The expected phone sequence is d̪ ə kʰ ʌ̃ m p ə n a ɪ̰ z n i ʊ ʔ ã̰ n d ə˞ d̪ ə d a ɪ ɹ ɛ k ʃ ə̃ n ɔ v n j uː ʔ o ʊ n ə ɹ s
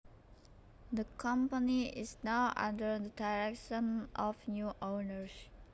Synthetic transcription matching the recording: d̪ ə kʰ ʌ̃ m p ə n i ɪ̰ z n a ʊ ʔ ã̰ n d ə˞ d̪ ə d a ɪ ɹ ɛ k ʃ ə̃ n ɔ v n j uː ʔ o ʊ n ə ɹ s